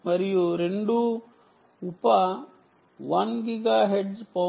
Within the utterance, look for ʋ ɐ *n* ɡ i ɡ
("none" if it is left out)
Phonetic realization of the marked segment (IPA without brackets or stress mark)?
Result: n